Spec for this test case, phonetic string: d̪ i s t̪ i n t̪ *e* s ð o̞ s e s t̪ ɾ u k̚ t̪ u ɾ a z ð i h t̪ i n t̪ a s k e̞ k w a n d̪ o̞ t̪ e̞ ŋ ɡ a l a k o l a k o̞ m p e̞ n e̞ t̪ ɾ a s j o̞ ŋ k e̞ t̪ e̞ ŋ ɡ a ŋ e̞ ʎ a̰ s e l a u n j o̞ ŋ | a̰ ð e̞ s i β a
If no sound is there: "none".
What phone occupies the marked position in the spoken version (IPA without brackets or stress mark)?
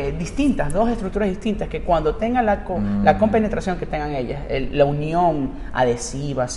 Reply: a